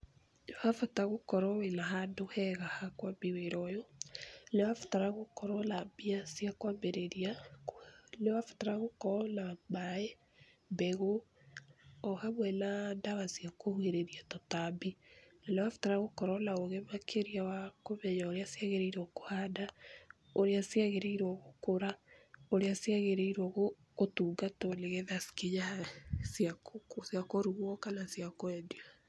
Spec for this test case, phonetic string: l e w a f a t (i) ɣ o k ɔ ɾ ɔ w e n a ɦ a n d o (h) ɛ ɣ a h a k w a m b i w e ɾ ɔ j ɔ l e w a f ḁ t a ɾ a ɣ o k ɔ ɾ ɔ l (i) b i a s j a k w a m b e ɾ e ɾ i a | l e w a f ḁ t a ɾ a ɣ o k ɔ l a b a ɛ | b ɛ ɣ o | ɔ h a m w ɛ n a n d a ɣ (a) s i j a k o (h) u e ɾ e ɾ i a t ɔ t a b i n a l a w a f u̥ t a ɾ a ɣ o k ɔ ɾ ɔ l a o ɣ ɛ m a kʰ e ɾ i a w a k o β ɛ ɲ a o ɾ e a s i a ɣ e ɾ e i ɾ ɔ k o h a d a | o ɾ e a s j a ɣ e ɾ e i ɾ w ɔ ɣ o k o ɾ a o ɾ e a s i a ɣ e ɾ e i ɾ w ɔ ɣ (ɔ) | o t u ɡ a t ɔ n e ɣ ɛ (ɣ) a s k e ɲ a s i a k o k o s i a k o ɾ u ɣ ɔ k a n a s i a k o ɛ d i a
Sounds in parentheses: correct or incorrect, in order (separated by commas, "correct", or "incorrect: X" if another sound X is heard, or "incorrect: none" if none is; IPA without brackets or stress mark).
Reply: incorrect: a, correct, incorrect: a, correct, correct, incorrect: o, incorrect: ð